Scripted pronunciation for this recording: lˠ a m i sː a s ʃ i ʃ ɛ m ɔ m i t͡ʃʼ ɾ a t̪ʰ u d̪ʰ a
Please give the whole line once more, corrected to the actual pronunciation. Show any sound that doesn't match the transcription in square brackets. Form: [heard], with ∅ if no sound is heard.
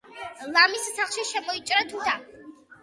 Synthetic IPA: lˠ a m i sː a [χ] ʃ i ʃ ɛ m ɔ [∅] i t͡ʃʼ ɾ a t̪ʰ u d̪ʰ a